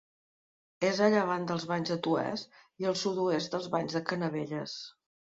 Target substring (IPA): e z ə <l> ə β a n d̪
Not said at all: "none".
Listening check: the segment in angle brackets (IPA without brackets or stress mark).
ʎ